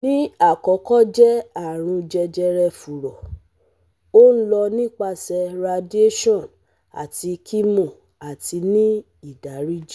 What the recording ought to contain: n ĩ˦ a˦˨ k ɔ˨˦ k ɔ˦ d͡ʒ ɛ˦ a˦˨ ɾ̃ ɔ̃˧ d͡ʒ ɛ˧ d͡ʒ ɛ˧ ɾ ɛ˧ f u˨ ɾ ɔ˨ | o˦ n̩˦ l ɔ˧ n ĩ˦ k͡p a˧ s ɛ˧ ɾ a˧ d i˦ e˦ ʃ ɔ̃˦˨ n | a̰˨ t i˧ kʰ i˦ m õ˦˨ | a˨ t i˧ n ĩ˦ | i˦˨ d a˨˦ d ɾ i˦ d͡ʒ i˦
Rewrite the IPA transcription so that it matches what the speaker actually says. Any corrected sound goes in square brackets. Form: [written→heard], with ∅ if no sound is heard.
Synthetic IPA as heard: n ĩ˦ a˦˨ k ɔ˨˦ k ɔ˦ d͡ʒ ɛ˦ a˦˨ ɾ̃ [ɔ̃˧→ũ˧] d͡ʒ ɛ˧ d͡ʒ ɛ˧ ɾ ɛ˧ f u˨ ɾ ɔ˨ | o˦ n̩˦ l ɔ˧ n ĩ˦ k͡p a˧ s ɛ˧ ɾ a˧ d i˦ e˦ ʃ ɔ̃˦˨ n | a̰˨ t i˧ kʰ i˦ m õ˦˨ | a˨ t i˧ n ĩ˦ | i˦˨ d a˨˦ [d→∅] ɾ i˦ d͡ʒ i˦